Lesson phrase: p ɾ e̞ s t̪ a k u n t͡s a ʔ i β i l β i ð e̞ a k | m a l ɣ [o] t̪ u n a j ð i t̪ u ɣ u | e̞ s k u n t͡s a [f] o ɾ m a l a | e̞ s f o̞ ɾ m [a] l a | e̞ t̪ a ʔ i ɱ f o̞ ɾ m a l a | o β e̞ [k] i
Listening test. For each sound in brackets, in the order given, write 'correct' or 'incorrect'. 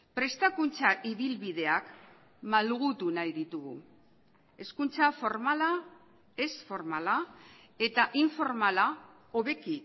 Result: incorrect: u, correct, correct, correct

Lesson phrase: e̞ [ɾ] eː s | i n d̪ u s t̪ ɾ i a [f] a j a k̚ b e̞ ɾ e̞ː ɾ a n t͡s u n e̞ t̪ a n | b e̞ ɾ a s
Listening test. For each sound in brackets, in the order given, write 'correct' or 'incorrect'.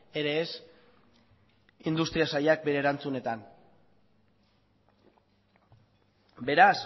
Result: correct, incorrect: s

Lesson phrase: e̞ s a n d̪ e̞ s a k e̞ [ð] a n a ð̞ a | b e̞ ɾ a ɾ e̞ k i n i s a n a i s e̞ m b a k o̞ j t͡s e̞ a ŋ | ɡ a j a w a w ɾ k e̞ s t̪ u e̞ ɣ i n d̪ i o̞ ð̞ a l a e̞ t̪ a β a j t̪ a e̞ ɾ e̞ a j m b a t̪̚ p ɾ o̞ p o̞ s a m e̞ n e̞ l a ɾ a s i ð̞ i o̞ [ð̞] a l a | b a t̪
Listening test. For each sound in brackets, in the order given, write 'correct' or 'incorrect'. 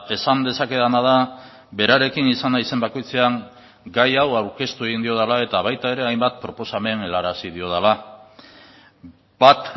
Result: correct, correct

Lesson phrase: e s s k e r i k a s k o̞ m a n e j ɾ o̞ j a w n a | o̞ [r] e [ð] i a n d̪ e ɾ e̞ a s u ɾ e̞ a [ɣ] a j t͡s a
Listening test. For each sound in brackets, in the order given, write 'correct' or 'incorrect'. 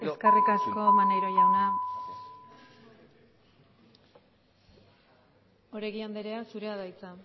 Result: incorrect: ɾ, incorrect: ɣ, incorrect: ð

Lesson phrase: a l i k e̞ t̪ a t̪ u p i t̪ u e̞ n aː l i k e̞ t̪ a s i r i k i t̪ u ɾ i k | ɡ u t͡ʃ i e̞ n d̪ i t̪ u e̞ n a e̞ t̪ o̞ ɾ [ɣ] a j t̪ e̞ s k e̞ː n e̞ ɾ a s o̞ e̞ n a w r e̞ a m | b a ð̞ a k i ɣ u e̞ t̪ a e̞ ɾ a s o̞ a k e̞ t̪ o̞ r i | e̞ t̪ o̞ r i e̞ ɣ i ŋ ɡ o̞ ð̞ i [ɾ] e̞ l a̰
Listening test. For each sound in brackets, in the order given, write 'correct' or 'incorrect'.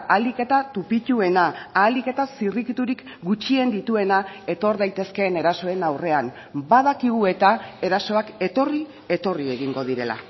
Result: incorrect: ð, correct

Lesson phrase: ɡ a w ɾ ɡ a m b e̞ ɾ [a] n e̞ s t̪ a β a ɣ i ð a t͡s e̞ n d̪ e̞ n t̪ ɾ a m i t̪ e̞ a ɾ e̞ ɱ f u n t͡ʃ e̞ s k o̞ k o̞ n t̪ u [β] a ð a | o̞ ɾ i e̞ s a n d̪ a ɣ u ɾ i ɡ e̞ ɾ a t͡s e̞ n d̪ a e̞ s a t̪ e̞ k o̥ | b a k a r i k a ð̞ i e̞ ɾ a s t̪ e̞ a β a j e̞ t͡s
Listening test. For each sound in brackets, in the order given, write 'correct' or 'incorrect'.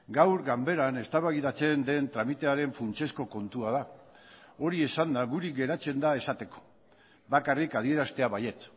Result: correct, incorrect: none

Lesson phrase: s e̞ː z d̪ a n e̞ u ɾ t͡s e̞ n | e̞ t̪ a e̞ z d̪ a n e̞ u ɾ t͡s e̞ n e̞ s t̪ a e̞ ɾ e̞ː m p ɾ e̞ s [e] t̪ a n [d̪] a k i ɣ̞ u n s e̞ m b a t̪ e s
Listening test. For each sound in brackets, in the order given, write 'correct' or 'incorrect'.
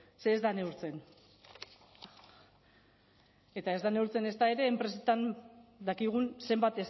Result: correct, correct

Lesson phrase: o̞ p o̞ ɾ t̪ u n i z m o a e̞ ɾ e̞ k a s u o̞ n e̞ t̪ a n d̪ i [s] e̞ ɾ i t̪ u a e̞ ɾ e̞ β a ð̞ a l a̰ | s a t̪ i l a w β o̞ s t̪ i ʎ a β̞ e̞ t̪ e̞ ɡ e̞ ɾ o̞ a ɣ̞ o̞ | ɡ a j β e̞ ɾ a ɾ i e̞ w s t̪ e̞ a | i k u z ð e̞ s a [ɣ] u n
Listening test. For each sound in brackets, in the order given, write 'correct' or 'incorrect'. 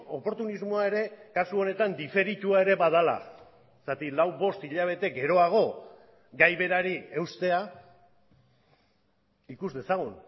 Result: incorrect: f, correct

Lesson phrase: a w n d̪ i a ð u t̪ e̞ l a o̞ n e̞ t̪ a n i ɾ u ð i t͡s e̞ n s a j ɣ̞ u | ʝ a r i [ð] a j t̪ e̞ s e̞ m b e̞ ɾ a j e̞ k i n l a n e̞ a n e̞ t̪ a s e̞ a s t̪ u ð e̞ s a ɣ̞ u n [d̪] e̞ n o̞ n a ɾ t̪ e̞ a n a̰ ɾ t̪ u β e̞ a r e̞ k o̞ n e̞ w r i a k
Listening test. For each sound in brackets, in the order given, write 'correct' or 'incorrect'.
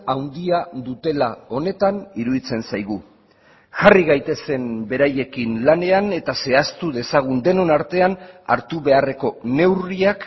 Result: incorrect: ɣ, correct

